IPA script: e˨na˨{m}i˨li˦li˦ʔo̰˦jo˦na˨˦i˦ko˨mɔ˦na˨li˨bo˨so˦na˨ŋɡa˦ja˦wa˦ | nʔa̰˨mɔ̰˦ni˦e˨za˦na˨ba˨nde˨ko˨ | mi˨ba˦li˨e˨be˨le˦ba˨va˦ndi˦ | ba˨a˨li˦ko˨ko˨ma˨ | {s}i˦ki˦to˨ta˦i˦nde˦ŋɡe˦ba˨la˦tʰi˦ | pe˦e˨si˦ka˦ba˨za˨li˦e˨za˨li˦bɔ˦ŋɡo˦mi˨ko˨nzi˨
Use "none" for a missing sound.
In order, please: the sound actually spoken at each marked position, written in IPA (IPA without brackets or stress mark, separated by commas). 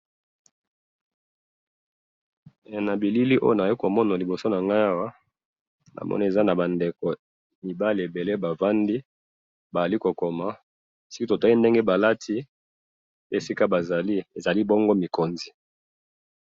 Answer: b, s